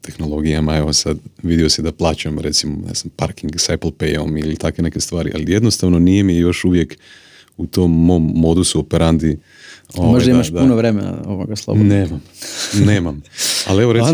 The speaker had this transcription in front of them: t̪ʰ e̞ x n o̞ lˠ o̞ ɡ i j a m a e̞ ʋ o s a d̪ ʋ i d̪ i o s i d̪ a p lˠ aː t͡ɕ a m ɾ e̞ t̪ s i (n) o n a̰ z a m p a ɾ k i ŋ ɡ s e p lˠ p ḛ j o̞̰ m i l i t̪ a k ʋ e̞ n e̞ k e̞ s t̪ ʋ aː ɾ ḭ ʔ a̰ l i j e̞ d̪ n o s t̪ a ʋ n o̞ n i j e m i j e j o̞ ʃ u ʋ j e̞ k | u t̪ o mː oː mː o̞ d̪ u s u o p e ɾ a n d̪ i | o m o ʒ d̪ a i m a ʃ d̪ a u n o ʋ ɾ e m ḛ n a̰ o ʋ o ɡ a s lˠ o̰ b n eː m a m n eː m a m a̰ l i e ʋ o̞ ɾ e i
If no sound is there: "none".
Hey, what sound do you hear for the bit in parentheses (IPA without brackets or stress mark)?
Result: m